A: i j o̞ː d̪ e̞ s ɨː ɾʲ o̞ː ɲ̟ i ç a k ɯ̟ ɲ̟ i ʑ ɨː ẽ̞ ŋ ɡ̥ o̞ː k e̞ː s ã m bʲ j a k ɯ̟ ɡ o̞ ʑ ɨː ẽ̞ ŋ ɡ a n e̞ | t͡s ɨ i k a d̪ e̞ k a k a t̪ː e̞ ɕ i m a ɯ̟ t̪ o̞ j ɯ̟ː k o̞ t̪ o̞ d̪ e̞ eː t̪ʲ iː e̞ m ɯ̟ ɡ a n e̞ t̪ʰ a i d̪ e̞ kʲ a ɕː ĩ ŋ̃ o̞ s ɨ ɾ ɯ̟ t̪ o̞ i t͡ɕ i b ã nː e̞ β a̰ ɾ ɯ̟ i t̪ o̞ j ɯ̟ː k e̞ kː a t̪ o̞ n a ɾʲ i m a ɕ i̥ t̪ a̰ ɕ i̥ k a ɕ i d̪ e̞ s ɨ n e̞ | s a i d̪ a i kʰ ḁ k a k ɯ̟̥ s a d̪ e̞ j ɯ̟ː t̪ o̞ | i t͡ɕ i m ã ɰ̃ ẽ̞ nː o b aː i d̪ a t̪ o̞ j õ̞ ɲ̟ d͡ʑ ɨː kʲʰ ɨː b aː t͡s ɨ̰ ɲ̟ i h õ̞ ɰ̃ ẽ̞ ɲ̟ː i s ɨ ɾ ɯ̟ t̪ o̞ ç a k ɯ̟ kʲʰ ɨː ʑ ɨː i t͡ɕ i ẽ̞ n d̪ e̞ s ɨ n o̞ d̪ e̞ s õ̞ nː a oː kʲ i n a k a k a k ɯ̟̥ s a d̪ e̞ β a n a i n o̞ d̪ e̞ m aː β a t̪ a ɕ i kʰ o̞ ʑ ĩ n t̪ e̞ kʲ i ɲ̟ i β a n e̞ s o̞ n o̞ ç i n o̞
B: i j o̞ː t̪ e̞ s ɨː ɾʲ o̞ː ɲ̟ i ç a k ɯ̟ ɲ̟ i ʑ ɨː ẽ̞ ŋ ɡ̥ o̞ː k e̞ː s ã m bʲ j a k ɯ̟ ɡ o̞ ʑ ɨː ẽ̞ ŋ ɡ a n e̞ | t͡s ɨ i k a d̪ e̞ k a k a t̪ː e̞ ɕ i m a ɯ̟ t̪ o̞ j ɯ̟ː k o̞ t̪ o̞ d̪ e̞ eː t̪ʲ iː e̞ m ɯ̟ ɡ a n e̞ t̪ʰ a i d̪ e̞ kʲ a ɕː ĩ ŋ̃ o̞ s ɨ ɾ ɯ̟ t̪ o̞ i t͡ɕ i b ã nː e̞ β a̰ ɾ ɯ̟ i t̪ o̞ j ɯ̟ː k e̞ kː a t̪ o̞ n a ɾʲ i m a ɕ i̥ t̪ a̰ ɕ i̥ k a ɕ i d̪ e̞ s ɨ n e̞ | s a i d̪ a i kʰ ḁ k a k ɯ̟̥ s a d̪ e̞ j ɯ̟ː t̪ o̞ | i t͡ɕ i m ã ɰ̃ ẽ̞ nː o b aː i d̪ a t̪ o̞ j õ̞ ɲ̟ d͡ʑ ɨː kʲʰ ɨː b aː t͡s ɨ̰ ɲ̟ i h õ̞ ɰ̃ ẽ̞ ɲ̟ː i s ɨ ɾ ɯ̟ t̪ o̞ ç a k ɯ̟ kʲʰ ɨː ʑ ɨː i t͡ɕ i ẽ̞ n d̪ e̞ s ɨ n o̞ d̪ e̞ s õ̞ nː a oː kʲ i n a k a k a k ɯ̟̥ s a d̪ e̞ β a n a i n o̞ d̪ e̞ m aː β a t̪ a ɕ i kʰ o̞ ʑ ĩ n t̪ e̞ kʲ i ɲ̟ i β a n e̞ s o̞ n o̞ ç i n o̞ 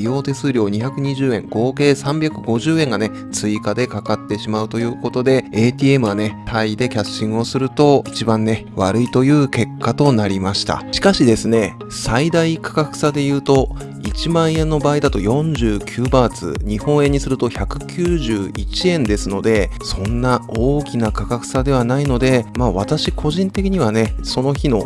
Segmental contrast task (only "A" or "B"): B